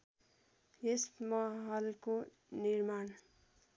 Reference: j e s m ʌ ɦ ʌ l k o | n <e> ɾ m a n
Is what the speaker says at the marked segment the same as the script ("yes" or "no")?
no